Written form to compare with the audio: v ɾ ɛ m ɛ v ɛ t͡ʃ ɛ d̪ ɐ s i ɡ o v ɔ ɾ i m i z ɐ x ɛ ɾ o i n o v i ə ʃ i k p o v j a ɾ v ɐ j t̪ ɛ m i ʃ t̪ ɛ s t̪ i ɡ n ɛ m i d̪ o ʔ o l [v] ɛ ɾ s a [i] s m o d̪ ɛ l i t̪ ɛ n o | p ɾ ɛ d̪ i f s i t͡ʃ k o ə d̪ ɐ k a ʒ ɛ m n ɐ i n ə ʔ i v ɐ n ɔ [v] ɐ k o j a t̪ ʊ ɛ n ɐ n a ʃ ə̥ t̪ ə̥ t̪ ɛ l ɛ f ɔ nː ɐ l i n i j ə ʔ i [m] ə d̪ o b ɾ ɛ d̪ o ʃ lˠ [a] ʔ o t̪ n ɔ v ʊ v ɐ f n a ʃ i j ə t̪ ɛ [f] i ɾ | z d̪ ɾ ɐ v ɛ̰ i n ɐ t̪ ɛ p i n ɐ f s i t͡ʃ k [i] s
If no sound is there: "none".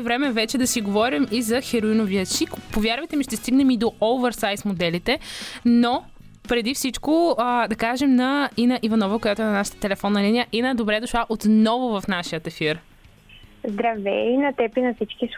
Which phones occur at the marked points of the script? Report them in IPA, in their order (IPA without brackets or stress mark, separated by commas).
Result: v, j, v, n, a, f, i